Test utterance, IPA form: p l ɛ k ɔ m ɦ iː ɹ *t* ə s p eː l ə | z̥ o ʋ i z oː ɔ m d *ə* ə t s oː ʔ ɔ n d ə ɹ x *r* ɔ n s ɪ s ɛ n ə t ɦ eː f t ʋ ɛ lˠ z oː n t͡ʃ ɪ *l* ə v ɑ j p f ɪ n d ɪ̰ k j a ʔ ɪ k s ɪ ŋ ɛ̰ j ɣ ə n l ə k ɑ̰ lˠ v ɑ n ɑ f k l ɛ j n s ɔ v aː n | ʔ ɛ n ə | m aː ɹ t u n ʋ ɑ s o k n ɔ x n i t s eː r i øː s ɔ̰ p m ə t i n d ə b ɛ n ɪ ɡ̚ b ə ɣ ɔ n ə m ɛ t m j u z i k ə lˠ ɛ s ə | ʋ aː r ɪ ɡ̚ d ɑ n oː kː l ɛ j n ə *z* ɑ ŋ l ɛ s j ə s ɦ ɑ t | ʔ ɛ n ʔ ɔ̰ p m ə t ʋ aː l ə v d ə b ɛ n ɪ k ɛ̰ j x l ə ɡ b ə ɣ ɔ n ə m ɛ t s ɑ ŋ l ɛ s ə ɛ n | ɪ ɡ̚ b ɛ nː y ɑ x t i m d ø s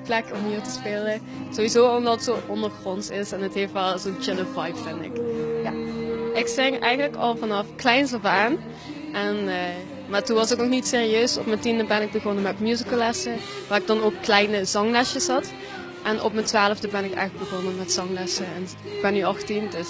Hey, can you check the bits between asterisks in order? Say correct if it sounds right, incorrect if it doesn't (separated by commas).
correct, incorrect, correct, correct, correct